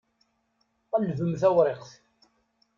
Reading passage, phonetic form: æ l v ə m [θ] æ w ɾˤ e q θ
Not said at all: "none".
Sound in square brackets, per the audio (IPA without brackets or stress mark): θ